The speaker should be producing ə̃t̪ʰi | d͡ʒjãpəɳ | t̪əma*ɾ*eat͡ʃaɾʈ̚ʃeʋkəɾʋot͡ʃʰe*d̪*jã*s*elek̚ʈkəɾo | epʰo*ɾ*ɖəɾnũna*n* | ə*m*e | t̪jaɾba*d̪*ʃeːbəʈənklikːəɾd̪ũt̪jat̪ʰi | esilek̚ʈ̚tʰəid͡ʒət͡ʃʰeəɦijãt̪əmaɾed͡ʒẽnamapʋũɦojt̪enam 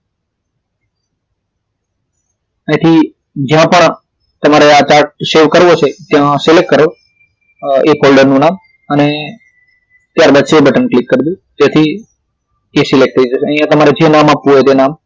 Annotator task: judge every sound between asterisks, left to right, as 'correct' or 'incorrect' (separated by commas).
correct, incorrect, correct, incorrect, incorrect, incorrect, correct